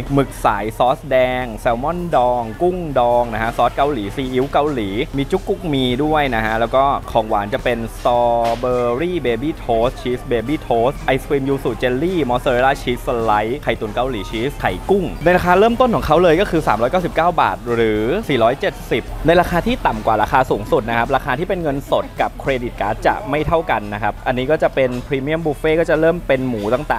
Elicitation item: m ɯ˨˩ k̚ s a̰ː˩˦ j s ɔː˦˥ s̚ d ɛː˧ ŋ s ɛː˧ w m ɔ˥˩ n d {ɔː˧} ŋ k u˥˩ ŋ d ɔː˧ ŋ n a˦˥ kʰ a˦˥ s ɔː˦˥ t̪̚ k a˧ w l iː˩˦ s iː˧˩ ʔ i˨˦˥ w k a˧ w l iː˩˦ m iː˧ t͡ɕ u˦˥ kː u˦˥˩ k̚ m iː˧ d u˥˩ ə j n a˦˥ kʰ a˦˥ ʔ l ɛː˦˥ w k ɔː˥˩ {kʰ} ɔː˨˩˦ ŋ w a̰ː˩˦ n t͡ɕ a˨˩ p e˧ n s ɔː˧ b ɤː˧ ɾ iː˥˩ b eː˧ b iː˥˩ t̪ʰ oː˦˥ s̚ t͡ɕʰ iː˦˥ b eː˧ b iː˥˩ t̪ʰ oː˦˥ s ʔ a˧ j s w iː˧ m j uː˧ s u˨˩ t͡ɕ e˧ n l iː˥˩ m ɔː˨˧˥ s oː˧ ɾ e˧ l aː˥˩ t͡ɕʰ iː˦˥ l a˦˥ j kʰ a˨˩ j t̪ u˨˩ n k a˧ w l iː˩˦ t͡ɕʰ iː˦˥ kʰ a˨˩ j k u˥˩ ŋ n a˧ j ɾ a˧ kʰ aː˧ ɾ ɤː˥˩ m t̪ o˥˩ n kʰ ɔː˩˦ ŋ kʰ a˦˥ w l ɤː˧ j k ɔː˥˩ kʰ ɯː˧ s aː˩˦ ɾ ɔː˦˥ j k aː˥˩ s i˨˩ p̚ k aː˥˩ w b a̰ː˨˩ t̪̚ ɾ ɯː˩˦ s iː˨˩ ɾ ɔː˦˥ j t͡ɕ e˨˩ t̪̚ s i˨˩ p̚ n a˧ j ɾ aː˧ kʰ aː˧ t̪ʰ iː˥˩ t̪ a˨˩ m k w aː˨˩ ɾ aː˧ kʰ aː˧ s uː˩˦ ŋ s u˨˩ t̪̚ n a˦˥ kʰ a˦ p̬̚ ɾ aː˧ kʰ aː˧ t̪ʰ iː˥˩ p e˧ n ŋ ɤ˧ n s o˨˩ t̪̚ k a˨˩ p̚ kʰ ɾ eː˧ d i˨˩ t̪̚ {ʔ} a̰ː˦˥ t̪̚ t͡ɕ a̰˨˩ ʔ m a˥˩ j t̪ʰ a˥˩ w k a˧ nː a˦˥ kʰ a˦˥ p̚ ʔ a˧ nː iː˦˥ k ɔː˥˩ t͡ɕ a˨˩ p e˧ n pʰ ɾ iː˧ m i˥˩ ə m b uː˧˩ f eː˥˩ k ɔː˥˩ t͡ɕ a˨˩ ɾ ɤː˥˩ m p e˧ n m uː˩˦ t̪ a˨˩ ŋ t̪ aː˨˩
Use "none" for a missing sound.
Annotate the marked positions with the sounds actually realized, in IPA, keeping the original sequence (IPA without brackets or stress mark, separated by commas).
ɔː˧, kʰ, k